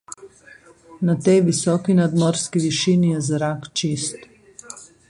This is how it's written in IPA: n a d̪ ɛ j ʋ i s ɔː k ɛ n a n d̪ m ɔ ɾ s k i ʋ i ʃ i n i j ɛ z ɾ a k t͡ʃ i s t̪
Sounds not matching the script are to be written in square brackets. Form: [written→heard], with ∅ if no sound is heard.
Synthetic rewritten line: n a [d̪→t̪] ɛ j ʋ i s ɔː k [ɛ→i] n a [n→∅] d̪ m ɔ ɾ s k i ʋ i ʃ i n i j ɛ z ɾ a k t͡ʃ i s t̪